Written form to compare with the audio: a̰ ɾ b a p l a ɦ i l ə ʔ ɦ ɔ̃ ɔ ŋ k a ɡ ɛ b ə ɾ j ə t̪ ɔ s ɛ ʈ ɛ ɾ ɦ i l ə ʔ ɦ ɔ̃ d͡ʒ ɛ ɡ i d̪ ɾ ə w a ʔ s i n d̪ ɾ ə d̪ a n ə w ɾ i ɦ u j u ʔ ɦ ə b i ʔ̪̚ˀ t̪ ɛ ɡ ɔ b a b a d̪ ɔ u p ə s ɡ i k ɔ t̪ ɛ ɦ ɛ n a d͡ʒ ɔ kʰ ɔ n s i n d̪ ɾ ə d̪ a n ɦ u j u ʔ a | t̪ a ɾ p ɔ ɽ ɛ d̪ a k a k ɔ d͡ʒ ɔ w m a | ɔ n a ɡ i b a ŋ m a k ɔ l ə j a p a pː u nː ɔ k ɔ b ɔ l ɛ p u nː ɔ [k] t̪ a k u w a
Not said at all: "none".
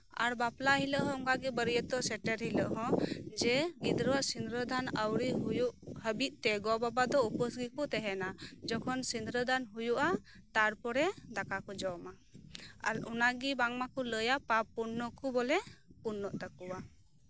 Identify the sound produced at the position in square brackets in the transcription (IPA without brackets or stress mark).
ʔ